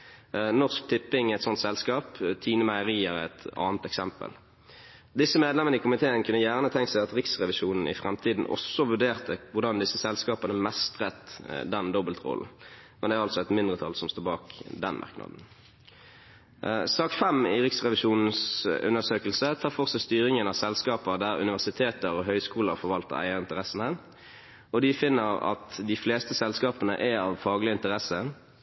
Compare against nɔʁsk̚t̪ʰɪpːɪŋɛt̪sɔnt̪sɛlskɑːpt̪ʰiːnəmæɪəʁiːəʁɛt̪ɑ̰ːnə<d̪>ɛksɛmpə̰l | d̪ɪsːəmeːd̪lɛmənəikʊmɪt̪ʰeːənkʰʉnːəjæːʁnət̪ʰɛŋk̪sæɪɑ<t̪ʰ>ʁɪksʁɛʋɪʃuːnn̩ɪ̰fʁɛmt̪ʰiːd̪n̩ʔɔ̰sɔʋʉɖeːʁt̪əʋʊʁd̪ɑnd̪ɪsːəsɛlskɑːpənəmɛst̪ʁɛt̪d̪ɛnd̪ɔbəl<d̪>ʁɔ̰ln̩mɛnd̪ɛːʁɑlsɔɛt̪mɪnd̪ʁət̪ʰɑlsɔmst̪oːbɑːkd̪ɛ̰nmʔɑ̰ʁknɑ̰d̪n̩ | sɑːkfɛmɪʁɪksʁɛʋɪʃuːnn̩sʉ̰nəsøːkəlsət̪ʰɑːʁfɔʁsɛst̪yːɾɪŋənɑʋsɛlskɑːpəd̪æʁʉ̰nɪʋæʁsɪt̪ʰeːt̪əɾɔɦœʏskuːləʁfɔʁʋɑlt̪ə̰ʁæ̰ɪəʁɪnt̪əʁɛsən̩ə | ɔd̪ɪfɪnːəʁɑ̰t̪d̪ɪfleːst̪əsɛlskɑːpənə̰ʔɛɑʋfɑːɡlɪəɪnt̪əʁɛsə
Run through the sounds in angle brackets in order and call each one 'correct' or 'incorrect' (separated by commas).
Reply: incorrect, incorrect, incorrect